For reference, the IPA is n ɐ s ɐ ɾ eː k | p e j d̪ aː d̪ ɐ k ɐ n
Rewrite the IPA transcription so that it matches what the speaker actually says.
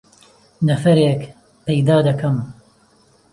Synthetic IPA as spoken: n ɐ f ɐ ɾ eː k | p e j d̪ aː d̪ ɐ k ɐ m